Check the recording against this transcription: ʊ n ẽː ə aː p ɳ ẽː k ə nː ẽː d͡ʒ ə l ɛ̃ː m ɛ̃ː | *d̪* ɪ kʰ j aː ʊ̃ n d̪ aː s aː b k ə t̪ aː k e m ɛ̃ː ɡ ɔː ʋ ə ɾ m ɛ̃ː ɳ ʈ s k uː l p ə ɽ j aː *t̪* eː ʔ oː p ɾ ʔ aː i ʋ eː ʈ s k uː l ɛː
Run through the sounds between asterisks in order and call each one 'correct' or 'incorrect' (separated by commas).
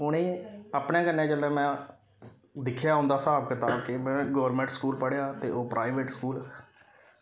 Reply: correct, correct